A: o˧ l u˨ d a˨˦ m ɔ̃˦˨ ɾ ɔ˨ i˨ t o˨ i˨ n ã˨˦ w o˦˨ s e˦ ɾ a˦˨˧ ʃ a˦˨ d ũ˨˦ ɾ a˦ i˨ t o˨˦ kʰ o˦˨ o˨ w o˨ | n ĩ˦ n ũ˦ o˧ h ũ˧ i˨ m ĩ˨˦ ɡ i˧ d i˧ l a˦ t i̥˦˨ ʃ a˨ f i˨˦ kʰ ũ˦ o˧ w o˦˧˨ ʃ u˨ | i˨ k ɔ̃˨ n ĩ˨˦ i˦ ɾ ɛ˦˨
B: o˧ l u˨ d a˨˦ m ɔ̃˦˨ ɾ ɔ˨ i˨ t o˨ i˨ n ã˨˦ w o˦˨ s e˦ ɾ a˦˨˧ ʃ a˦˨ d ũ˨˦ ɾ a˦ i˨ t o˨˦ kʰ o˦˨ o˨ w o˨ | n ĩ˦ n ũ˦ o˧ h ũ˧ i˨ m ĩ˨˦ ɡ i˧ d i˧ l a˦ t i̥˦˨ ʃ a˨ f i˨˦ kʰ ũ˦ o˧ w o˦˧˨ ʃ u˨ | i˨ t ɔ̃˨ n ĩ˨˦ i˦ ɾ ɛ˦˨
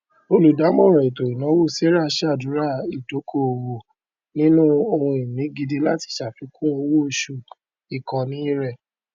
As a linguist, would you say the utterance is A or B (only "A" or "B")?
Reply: A